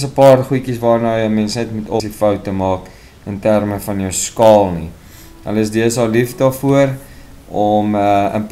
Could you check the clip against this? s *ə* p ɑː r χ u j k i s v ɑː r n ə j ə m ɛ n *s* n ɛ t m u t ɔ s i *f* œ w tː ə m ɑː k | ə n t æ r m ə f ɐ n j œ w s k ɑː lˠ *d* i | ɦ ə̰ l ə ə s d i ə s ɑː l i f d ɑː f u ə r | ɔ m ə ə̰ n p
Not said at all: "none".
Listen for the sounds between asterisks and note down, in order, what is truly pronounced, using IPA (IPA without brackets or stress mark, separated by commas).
ə, s, f, n